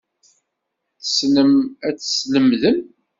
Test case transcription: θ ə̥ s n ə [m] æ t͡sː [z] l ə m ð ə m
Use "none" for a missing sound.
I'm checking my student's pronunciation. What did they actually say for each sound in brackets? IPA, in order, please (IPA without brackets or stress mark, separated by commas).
m, s